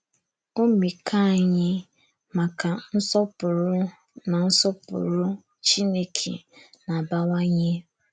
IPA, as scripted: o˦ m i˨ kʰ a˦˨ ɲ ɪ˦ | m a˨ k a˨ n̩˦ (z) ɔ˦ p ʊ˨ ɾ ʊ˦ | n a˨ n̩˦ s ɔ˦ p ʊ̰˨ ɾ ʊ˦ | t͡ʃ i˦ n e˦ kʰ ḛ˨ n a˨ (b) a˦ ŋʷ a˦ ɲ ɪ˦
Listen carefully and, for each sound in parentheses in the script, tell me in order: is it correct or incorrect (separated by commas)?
incorrect, correct